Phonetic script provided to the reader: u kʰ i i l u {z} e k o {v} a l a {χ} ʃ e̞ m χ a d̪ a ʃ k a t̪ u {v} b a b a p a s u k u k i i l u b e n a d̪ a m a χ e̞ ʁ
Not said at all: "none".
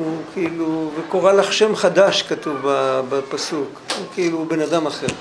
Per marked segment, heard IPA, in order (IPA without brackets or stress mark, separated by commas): v, ʁ, χ, v